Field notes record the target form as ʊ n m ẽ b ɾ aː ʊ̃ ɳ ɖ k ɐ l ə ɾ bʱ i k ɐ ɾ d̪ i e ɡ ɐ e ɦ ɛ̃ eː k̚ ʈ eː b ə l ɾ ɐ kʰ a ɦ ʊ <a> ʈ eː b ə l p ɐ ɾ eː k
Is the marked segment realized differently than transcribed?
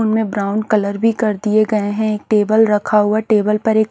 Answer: no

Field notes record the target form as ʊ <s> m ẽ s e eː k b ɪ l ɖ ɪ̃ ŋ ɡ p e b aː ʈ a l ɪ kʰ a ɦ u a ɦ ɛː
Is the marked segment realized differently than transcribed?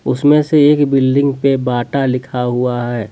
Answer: no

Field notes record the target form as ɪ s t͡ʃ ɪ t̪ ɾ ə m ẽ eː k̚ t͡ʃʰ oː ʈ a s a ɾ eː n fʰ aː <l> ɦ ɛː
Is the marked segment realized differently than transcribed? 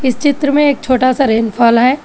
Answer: no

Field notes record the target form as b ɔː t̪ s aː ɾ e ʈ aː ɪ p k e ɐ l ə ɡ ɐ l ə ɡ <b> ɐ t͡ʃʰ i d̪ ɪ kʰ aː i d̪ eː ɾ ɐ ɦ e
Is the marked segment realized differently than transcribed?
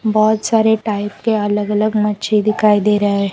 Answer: yes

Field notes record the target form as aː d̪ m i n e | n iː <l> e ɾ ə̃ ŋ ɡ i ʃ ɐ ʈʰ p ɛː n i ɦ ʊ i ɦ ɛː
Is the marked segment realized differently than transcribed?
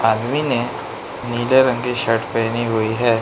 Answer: no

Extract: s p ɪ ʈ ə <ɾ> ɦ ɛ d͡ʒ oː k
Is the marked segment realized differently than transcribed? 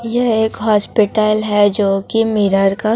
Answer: yes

